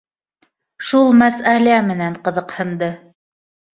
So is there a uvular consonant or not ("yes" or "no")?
yes